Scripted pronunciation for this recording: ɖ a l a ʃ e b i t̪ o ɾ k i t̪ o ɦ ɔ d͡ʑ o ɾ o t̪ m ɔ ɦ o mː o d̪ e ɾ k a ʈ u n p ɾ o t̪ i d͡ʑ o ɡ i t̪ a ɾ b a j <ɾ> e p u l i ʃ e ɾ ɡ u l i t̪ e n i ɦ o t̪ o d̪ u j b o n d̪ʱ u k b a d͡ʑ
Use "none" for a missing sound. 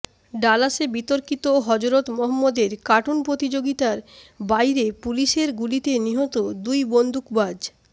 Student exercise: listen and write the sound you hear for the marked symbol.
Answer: ɾ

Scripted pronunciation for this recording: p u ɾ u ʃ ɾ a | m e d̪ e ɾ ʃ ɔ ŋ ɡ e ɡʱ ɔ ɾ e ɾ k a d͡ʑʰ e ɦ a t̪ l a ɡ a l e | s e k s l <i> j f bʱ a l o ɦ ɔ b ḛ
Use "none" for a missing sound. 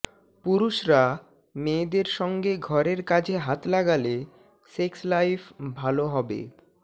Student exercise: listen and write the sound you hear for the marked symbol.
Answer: a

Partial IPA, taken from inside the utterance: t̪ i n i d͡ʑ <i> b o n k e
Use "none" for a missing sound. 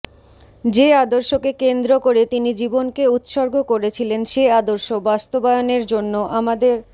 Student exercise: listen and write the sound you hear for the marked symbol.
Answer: i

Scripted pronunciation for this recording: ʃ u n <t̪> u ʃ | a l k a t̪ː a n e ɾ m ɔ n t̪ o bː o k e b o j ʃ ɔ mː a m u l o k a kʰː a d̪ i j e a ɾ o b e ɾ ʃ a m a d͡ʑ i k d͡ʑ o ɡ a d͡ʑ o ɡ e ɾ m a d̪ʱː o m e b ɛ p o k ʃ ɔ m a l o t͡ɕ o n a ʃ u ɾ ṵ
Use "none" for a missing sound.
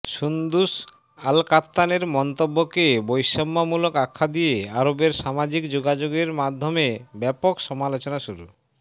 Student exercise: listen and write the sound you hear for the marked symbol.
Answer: d̪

